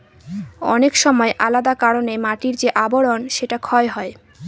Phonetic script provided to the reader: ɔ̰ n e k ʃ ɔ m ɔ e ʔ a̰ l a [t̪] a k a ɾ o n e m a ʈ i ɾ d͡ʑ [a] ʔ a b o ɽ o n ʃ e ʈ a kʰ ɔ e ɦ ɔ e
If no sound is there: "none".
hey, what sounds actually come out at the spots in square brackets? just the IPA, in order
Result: d̪, e

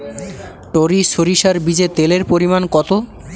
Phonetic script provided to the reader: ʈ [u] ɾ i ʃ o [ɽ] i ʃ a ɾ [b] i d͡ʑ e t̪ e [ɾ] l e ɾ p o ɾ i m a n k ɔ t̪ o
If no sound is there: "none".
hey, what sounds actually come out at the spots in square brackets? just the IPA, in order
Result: o, ɾ, b, none

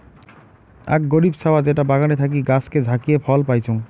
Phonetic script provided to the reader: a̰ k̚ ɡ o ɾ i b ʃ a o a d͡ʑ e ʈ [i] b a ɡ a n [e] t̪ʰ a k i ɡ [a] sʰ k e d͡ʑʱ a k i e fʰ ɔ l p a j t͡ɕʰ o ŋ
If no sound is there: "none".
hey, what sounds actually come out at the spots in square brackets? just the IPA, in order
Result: a, e, a

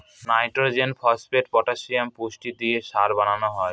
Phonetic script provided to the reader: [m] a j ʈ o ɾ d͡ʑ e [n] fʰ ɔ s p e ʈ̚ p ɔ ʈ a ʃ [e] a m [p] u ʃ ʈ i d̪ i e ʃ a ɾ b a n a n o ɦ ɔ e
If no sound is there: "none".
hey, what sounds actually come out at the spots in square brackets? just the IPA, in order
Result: n, n, i, p

